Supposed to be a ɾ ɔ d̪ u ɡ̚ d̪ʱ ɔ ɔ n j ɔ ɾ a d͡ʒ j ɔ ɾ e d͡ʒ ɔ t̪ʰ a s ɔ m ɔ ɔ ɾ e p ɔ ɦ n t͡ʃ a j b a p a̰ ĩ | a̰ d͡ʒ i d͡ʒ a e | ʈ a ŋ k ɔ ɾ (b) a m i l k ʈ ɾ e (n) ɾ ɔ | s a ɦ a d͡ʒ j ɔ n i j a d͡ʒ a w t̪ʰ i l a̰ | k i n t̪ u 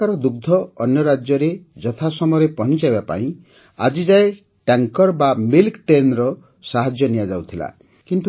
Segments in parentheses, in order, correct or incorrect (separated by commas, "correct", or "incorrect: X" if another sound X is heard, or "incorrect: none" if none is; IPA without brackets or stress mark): correct, correct